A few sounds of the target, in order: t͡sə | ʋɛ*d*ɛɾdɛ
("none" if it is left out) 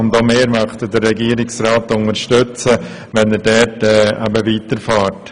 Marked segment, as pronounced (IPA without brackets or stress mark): n